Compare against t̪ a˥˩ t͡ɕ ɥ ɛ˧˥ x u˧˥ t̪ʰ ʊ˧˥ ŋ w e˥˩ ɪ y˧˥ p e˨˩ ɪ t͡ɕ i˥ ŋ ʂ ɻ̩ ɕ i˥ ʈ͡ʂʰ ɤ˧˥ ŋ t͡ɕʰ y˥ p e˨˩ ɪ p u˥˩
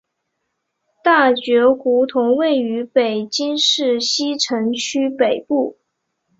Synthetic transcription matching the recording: t̪ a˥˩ t͡ɕ ɥ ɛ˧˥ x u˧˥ t̪ʰ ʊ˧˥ ŋ w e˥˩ ɪ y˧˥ p e˨˩ ɪ t͡ɕ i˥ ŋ ʂ ɻ̩ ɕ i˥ ʈ͡ʂʰ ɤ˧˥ ŋ t͡ɕʰ y˥ p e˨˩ ɪ p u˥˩